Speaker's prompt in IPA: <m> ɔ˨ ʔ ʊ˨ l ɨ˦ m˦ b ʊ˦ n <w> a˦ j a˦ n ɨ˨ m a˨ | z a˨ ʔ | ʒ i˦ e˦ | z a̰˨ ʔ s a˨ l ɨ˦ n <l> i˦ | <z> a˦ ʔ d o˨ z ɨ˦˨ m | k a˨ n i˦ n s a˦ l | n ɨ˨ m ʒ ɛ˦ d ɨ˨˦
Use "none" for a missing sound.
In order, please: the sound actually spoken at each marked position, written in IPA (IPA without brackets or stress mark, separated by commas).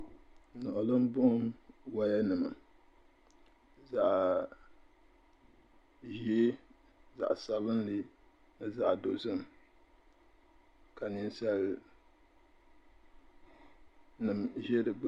n, w, l, z